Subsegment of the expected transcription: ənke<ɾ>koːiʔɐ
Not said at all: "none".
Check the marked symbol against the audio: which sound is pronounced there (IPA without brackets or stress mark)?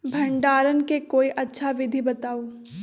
none